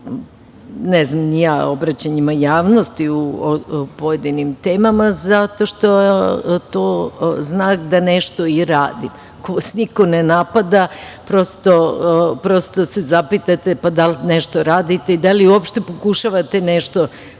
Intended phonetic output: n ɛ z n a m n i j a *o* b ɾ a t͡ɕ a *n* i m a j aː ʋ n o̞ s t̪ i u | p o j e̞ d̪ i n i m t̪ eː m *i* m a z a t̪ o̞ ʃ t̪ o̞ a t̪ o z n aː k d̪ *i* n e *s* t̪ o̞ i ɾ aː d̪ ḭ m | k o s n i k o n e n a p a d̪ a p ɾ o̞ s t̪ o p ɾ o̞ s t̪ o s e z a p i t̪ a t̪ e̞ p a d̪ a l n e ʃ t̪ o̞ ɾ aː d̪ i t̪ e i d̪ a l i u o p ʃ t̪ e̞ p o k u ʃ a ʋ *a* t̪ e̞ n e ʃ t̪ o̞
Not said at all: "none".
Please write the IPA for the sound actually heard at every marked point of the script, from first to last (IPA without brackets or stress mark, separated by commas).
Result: o, ɲ, a, a, ʃ, a